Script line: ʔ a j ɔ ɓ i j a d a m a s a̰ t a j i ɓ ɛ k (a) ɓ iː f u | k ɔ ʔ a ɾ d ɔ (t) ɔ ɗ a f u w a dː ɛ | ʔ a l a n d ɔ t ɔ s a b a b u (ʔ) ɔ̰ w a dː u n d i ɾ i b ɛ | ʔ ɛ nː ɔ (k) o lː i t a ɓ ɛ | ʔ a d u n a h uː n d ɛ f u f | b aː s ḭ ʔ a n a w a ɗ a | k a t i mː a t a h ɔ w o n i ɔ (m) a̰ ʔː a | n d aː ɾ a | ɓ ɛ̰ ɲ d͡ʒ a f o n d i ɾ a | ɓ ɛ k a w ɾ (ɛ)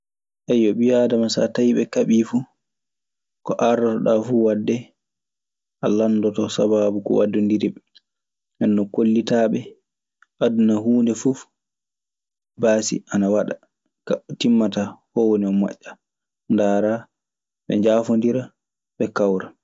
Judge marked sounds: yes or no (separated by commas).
yes, yes, no, yes, yes, no